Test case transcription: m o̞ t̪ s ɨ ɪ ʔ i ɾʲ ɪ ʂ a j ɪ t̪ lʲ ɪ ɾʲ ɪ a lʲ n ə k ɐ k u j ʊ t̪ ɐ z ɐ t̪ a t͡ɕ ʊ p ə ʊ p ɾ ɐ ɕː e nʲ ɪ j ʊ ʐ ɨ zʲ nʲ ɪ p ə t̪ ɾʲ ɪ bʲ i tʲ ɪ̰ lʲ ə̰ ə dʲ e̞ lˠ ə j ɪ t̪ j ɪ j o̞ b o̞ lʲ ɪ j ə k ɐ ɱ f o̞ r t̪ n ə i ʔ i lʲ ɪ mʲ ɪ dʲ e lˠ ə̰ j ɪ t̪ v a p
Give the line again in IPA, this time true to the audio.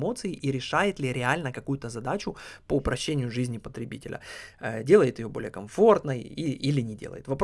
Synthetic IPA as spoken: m o̞ t̪ s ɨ ɪ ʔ i ɾʲ ɪ ʂ a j ɪ t̪ lʲ ɪ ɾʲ ɪ a lʲ n ə k ɐ k u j ʊ t̪ ə z ɐ d̪ a t͡ɕ ʊ p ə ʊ p ɾ ɐ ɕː e nʲ ɪ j ʊ ʐ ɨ zʲ nʲ ɪ p ə t̪ ɾʲ ɪ bʲ i tʲ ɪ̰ lʲ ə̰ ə dʲ e̞ lˠ ə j ɪ t̪ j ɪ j o̞ b o̞ lʲ ɪ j ə k ɐ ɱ f o̞ r t̪ n ə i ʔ i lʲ ɪ nʲ ɪ dʲ e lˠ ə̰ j ɪ t̪ v ɐ p